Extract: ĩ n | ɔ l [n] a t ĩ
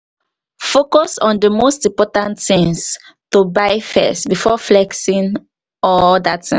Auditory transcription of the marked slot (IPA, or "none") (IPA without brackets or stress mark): d